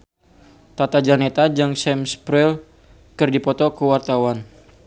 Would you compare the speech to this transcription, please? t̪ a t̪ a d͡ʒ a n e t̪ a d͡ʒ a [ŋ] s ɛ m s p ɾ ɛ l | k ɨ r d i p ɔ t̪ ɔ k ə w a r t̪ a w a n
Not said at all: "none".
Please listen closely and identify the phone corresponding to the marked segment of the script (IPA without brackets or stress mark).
ŋ